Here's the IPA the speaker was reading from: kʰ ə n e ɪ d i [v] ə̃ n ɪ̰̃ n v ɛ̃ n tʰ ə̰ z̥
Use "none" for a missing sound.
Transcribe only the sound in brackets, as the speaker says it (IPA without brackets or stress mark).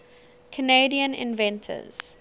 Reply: none